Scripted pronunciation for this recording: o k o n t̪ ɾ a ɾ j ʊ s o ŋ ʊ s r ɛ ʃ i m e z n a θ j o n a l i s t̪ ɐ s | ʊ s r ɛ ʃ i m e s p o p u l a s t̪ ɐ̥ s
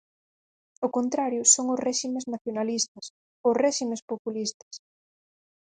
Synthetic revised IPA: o k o n t̪ ɾ a ɾ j ʊ s o ŋ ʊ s r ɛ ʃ i m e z n a θ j o n a l i s t̪ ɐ s | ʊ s r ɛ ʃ i m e s p o p u l i s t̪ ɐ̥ s